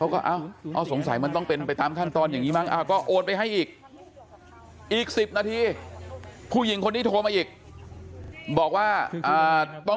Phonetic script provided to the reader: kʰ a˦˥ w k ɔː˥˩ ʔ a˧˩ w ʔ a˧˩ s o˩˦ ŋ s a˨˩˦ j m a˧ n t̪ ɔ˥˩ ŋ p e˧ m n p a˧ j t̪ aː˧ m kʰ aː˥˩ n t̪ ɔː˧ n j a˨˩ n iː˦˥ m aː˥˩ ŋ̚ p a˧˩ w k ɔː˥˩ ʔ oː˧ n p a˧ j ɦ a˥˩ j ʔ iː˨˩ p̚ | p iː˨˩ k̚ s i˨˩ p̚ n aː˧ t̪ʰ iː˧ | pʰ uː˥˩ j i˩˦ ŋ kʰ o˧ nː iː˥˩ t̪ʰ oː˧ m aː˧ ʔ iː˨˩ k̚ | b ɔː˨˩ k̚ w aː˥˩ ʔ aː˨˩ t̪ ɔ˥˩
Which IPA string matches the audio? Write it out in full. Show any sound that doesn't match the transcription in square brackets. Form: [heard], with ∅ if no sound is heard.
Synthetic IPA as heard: kʰ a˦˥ w k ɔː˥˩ ʔ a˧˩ w ʔ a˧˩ s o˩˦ ŋ s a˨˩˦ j m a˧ n t̪ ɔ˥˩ ŋ p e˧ [∅] n p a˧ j t̪ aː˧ m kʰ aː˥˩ n t̪ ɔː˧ n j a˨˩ [ŋ] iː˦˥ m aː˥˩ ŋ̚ [ʔ] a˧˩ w k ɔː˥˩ ʔ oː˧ n p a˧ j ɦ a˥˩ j ʔ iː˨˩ [k̚] | [ʔ] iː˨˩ k̚ s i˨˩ p̚ n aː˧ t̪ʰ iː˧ | pʰ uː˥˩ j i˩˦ ŋ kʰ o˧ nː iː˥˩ t̪ʰ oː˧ m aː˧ ʔ iː˨˩ k̚ | b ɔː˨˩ k̚ w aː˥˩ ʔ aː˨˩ t̪ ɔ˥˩

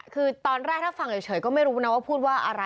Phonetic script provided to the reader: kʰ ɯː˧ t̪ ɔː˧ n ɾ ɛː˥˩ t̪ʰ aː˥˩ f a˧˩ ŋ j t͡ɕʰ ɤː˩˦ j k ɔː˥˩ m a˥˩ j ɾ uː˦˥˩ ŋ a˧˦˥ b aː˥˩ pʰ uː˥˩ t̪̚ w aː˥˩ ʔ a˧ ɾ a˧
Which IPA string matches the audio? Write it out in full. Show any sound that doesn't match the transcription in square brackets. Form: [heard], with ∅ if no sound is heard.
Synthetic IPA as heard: kʰ ɯː˧ t̪ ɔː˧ n ɾ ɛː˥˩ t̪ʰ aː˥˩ f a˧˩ ŋ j t͡ɕʰ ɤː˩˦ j k ɔː˥˩ m a˥˩ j ɾ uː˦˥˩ [n] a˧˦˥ [w] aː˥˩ pʰ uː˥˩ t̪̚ w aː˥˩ ʔ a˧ ɾ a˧

